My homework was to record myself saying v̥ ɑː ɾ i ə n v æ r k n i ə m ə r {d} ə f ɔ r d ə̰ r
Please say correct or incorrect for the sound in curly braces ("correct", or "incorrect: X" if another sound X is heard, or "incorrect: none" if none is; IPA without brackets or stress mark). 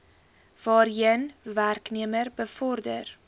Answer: incorrect: b